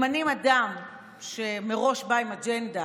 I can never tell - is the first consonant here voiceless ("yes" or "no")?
no